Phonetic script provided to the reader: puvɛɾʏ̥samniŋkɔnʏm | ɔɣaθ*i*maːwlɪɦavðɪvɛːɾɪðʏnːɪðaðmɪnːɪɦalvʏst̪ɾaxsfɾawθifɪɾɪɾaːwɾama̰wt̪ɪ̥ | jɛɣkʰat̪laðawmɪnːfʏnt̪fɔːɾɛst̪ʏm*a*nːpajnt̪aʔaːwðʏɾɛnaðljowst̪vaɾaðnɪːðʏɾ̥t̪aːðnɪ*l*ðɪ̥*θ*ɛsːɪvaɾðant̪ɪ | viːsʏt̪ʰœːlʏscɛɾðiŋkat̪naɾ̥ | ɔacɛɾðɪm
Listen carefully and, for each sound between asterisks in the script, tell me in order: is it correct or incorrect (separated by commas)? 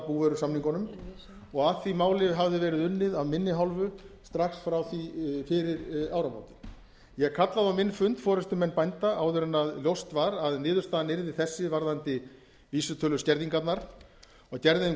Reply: correct, incorrect, incorrect, correct